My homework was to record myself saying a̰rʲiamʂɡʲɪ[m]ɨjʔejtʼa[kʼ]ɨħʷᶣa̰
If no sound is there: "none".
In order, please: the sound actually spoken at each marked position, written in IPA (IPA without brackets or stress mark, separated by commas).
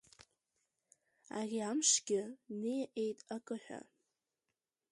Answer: n, kʼ